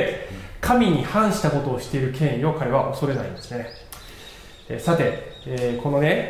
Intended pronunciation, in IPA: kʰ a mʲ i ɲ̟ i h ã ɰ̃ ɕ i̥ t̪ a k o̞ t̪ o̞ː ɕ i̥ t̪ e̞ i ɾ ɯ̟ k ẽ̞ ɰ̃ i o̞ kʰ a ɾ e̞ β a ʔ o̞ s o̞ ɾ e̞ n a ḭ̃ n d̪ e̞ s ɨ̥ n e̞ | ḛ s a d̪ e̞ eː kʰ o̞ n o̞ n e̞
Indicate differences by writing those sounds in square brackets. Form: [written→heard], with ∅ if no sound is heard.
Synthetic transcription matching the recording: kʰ a mʲ i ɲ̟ i h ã ɰ̃ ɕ i̥ t̪ a k o̞ t̪ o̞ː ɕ i̥ t̪ e̞ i ɾ ɯ̟ k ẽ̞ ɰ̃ i o̞ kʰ a ɾ e̞ β a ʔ o̞ s o̞ ɾ e̞ n a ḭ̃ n d̪ e̞ s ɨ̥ n e̞ | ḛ s a [d̪→t̪] e̞ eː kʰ o̞ n o̞ n e̞